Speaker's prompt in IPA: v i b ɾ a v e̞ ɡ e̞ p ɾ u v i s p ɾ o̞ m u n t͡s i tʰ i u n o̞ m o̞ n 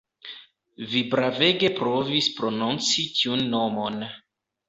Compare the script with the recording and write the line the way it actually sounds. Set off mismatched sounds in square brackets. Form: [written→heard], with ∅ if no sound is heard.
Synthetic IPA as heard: v i b ɾ a v e̞ ɡ e̞ p ɾ [u→o] v i s p ɾ o̞ [m→n] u n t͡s i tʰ i u [n→nː] o̞ m o̞ n